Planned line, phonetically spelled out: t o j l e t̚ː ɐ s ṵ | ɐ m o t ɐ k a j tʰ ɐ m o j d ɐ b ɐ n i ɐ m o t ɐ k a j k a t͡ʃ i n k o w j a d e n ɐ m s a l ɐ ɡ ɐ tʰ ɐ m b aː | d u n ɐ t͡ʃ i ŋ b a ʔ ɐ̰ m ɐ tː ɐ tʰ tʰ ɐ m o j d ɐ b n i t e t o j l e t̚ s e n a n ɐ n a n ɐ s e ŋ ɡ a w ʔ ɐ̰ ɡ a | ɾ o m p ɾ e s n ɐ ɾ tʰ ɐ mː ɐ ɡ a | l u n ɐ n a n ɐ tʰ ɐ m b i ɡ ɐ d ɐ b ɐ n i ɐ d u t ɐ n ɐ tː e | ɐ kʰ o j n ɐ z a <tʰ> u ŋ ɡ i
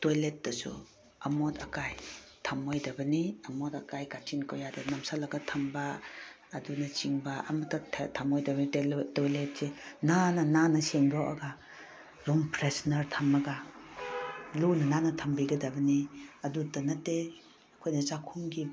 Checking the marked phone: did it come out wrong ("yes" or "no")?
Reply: yes